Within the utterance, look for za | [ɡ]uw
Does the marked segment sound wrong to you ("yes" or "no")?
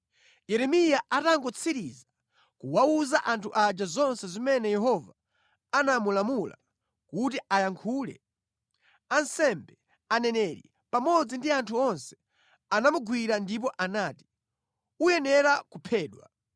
yes